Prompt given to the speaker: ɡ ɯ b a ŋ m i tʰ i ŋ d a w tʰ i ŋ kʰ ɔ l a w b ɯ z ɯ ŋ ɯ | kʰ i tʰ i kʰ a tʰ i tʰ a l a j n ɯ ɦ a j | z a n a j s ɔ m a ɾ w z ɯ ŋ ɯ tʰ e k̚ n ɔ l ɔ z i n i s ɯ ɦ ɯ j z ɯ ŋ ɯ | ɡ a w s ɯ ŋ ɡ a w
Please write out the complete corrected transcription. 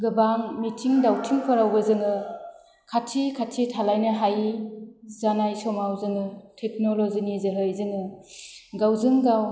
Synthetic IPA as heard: ɡ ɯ b a ŋ m i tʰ i ŋ d a w tʰ i ŋ pʰ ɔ ɾ a w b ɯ z ɯ ŋ ɯ | kʰ a tʰ i kʰ a tʰ i tʰ a l a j n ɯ ɦ a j | z a n a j s ɔ m a w z ɯ ŋ ɯ tʰ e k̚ n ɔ l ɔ z i n i z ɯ ɦ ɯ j z ɯ ŋ ɯ | ɡ a w z ɯ ŋ ɡ a w